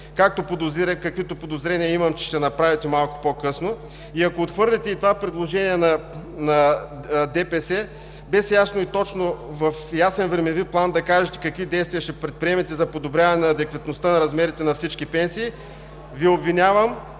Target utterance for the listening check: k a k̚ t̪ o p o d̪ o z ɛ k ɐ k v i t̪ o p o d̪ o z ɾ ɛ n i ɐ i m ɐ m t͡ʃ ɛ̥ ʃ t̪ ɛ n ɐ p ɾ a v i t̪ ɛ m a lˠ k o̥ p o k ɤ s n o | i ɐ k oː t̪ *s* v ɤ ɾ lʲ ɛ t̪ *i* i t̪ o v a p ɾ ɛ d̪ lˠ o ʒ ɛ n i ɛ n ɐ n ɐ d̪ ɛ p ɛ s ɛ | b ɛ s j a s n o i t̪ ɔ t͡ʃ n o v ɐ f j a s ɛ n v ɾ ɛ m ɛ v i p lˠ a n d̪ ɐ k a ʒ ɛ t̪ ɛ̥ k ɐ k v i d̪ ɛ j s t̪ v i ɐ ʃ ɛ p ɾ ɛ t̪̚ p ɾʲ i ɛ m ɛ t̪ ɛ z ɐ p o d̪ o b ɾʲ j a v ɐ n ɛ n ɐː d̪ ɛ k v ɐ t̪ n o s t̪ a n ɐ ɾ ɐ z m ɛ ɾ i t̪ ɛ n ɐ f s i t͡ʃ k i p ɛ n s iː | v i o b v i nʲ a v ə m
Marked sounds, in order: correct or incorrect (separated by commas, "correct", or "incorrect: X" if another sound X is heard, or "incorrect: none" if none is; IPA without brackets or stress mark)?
incorrect: x, incorrect: ɛ